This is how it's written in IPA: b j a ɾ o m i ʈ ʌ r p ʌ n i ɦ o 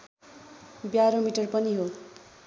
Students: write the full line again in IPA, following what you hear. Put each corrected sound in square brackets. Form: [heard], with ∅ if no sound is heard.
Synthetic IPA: b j a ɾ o m i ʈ ʌ r p ʌ n i ɦ o